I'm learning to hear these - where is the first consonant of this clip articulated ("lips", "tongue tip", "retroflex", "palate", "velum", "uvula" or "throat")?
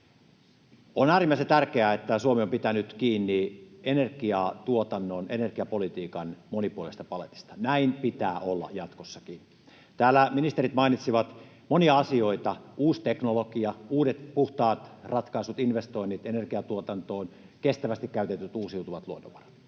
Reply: tongue tip